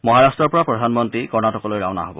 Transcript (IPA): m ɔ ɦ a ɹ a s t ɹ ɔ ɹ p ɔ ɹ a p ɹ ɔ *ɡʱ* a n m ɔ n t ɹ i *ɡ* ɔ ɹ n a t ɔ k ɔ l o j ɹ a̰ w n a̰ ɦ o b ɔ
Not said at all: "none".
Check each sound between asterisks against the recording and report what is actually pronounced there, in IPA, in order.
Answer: dʱ, k

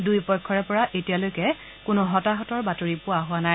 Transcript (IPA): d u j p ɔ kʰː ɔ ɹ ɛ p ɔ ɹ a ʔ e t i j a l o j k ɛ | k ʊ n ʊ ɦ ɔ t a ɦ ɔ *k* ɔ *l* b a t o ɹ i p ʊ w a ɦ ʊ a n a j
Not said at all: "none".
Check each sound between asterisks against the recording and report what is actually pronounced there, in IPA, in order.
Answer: t, ɹ

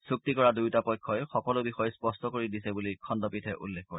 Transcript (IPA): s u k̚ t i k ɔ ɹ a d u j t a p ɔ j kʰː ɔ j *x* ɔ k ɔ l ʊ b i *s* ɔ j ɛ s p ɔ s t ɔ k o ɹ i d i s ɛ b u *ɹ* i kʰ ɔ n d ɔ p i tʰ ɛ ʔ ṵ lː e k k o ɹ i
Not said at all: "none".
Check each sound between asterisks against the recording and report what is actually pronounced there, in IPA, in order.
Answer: x, x, l

